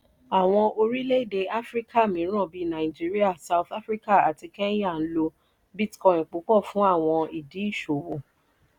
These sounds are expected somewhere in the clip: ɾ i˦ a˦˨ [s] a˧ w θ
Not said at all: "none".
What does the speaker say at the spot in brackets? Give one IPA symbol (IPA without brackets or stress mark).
s